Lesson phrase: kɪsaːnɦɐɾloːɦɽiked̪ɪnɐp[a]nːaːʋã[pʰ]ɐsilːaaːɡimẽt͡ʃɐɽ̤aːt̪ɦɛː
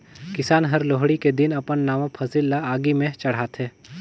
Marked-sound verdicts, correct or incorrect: incorrect: ə, correct

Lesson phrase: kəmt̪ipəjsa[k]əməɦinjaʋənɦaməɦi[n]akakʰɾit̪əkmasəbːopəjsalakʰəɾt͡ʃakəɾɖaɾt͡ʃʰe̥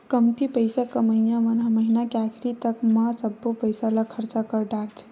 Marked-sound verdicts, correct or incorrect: correct, correct

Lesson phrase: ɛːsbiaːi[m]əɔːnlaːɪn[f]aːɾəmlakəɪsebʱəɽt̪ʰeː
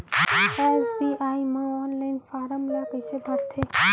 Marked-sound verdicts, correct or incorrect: correct, correct

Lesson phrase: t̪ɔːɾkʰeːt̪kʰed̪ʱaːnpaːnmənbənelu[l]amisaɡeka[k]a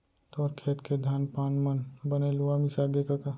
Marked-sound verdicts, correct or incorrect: incorrect: none, correct

